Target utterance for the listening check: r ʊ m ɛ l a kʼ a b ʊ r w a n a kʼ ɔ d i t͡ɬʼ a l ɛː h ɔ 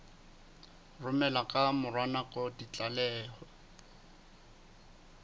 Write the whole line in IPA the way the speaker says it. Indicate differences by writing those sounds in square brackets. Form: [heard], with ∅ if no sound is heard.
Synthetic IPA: r ʊ m ɛ l a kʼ a [m] ʊ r w a n a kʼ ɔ d i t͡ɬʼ a l ɛː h ɔ